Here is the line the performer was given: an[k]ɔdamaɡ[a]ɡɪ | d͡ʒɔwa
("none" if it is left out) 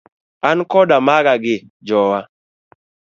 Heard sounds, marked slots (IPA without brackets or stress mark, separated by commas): k, a